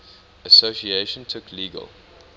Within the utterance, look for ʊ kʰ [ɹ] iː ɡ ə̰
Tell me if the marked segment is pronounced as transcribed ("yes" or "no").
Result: no